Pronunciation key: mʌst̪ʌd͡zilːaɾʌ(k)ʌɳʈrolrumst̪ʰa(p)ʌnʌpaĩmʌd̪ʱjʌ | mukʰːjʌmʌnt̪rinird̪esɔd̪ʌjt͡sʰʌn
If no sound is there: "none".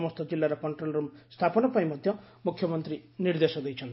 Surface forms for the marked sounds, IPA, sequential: k, p

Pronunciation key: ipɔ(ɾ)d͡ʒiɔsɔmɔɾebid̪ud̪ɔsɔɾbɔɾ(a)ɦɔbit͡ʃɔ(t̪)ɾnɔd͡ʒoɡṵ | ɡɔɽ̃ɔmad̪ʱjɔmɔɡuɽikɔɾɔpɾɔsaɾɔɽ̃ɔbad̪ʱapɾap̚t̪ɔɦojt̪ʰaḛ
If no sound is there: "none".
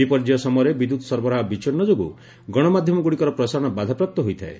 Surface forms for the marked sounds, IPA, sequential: ɾ, a, none

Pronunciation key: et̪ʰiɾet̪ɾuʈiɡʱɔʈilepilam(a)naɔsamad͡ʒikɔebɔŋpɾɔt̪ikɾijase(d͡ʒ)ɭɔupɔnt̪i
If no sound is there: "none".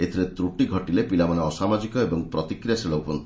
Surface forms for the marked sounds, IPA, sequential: a, none

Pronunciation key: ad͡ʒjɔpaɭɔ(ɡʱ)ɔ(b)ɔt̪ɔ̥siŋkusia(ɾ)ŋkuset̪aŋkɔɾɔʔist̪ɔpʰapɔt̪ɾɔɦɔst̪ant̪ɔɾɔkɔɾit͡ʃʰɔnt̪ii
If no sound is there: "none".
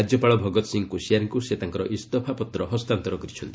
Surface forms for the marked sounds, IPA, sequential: bʱ, ɡ, ɾ

